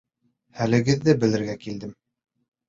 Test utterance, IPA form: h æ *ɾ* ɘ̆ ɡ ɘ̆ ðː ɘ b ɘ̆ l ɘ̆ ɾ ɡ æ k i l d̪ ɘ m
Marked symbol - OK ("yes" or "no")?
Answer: no